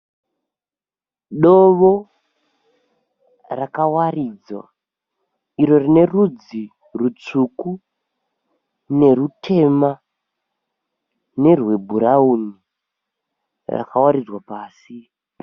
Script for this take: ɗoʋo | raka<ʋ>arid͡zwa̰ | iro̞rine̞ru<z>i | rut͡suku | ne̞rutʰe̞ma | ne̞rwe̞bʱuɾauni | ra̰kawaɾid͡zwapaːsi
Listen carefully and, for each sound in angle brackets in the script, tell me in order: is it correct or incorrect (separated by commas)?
incorrect, incorrect